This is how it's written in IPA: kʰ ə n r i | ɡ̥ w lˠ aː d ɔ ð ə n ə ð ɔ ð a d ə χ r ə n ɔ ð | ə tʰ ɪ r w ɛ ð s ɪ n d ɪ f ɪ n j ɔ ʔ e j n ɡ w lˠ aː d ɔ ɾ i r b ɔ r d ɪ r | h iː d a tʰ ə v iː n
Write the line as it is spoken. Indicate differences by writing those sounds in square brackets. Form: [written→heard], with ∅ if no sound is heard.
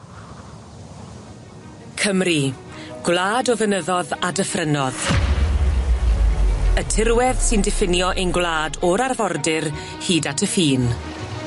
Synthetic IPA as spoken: kʰ ə [n→m] r i | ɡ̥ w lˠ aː d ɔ [ð→v] ə n ə ð ɔ ð a d ə [χ→f] r ə n ɔ ð | ə tʰ ɪ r w ɛ ð s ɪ n d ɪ f ɪ n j ɔ ʔ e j n ɡ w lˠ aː d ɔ ɾ [i→a] r [b→v] ɔ r d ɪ r | h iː d a tʰ ə [v→f] iː n